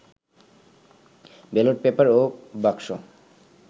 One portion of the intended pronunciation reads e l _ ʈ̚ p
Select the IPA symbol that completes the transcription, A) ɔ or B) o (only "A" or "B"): B